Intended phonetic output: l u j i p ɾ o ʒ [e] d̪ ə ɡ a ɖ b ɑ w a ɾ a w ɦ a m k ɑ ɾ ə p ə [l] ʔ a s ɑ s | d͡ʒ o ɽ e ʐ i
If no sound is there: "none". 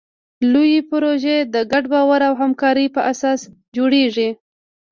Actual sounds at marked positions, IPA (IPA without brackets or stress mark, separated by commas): e, none